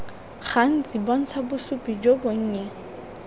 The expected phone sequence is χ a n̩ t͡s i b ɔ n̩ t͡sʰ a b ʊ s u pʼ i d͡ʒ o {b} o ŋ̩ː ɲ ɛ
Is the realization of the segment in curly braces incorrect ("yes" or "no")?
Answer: no